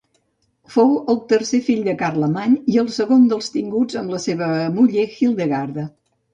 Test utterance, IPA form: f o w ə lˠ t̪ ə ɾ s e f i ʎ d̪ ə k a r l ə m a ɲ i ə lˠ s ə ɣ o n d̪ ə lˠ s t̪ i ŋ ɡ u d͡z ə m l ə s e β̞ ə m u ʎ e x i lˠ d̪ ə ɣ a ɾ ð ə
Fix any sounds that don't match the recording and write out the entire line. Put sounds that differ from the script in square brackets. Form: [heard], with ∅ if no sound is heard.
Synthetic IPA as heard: f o w ə lˠ t̪ ə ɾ s e f i ʎ d̪ ə k a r l ə m a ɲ i ə lˠ s ə ɣ o n d̪ ə lˠ s t̪ i ŋ ɡ u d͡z ə m l ə s e β̞ ə m u ʎ e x i lˠ d̪ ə ɣ a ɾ ð ə